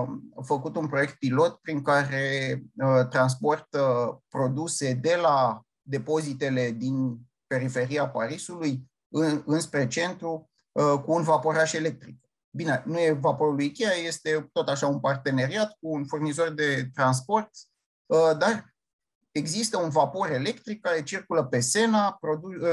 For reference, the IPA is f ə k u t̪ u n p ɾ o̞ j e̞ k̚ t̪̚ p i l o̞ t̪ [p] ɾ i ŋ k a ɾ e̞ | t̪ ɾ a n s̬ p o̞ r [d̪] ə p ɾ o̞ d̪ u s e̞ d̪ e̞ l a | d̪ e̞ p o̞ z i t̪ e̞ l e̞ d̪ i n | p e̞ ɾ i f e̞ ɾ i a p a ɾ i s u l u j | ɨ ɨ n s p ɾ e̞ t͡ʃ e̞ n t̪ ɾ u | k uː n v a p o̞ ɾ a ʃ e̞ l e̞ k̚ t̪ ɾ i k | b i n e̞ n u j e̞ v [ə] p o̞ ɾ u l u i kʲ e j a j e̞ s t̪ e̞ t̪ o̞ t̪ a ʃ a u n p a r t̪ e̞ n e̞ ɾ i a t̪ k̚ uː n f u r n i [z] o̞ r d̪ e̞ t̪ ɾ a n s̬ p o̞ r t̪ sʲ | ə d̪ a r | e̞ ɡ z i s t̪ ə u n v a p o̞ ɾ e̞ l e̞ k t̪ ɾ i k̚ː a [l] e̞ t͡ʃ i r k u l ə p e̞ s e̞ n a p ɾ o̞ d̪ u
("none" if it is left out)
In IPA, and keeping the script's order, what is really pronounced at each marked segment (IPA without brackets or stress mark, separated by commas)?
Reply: p, t̪, a, z, ɾ